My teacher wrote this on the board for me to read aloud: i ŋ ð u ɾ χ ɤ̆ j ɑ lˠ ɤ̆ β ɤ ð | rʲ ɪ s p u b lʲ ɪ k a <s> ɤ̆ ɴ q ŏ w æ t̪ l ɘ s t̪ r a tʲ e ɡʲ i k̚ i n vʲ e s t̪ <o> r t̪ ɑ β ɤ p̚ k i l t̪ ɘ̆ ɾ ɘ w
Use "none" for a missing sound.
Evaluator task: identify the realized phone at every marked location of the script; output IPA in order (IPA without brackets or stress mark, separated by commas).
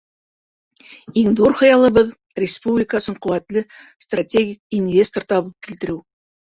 s, o